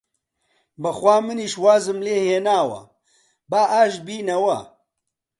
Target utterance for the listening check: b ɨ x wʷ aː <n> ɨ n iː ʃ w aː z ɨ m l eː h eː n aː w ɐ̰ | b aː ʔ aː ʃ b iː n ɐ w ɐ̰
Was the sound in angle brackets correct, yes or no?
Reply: no